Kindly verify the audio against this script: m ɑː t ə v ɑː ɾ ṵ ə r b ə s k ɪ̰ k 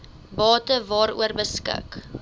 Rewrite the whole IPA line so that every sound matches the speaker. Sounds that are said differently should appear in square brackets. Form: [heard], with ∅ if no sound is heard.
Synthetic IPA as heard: [b] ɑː t ə v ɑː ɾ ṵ ə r b ə s k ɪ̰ k